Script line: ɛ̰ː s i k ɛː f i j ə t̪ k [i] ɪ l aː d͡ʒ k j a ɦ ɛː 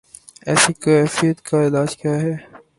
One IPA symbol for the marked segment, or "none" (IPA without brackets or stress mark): a